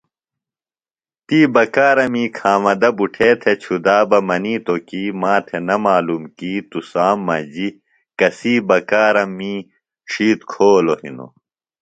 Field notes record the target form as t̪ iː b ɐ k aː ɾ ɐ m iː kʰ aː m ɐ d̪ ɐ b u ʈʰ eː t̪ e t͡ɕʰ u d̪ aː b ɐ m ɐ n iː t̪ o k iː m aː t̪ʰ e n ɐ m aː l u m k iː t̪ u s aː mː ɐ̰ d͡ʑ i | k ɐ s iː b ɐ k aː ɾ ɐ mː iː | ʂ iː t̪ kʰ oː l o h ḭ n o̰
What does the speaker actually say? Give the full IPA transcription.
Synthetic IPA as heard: t̪ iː b ɐ k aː ɾ ɐ m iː kʰ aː m ɐ d̪ ɐ b u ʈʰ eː t̪ʰ e t͡ɕʰ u d̪ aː b ɐ m ɐ n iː t̪ o k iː m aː t̪ʰ e n ɐ m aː l u m k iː t̪ u s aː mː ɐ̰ d͡ʑ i | k ɐ s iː b ɐ k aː ɾ ɐ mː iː | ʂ iː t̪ kʰ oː l o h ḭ n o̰